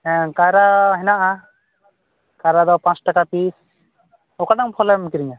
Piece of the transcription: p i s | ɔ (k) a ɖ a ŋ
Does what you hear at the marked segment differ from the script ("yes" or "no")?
no